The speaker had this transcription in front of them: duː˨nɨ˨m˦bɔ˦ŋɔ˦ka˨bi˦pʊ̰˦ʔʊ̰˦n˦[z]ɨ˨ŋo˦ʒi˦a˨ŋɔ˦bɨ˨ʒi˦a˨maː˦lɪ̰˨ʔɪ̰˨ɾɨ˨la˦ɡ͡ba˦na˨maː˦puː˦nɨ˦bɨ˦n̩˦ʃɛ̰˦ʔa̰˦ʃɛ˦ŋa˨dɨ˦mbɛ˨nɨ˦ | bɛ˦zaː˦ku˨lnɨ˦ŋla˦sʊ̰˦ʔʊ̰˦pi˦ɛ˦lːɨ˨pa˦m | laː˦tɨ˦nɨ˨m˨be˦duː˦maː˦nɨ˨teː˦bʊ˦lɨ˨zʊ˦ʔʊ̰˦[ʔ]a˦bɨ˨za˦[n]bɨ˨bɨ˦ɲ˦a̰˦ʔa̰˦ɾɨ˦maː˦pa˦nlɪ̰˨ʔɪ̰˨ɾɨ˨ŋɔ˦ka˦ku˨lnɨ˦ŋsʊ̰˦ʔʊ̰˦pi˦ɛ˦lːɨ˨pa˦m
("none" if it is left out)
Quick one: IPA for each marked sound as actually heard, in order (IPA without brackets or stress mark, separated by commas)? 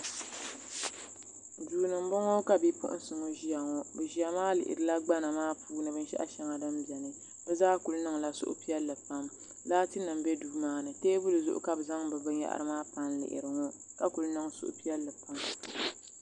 s, k, ŋ